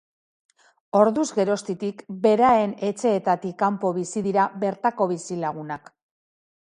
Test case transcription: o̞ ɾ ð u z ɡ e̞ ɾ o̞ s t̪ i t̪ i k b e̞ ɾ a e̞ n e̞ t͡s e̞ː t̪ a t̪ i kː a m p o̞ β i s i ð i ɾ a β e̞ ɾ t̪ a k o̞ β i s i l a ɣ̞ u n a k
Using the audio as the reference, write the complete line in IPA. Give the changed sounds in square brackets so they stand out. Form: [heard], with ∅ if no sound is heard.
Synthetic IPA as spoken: o̞ ɾ ð u z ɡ e̞ ɾ o̞ s t̪ i t̪ i k b e̞ ɾ a e̞ n e̞ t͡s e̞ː t̪ a t̪ i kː a m p o̞ β i s i ð i ɾ a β e̞ ɾ t̪ a k o̞ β i s i l a ɣ̞ u n a k